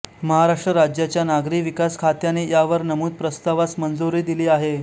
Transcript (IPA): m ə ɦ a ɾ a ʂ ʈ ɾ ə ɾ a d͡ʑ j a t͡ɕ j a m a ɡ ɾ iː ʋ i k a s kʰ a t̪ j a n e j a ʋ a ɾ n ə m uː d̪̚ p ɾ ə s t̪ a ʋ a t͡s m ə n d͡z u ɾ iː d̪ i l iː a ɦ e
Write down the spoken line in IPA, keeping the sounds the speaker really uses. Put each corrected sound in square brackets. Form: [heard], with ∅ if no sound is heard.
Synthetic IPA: m ə ɦ a ɾ a ʂ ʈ ɾ ə ɾ a d͡ʑ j a t͡ɕ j a [n] a ɡ ɾ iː ʋ i k a s kʰ a t̪ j a n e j a ʋ [ə] ɾ n ə m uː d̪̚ p ɾ ə s t̪ a ʋ a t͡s m ə n d͡z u ɾ iː d̪ i l iː a ɦ e